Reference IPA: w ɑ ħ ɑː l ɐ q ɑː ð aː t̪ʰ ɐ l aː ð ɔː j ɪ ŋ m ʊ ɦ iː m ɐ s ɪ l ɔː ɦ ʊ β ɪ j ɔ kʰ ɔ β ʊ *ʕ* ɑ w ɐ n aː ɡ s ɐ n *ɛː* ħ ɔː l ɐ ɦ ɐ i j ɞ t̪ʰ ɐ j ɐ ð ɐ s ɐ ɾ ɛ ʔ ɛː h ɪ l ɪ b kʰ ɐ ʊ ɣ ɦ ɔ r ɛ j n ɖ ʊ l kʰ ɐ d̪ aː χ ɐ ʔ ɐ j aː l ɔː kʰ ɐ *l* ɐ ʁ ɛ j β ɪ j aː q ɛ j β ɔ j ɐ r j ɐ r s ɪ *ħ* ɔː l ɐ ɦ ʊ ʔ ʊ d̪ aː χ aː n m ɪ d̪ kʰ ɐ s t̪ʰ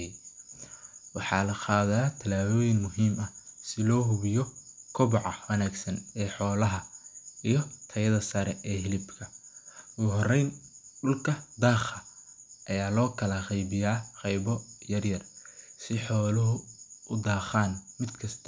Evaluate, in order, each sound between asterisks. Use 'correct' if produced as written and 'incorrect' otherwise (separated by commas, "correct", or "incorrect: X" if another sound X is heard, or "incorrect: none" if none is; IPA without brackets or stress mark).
correct, correct, correct, correct